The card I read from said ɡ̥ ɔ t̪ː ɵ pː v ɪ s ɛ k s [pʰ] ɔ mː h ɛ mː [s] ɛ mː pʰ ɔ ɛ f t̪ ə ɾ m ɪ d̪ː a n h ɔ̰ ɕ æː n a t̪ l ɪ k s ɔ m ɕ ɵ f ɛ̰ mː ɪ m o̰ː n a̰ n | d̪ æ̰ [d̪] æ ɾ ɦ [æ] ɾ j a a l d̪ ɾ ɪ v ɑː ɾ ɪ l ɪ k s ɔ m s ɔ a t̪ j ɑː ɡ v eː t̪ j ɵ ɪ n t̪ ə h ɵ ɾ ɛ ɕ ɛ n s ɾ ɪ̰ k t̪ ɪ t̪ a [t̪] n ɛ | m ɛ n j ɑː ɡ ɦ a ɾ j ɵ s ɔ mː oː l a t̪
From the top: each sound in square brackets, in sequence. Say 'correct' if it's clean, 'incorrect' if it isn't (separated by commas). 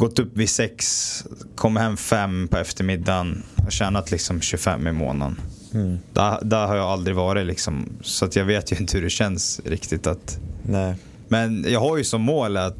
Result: incorrect, incorrect, correct, incorrect, correct